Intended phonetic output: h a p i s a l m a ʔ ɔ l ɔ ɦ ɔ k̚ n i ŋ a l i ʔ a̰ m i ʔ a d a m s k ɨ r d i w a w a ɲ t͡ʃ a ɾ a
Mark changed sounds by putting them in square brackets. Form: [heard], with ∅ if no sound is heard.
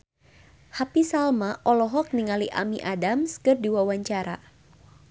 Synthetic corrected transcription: h a p i s a l m a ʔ ɔ l ɔ ɦ ɔ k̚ n i ŋ a l i ʔ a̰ m i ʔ a d a m s k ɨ r d i w a w a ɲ t͡ʃ a ɾ a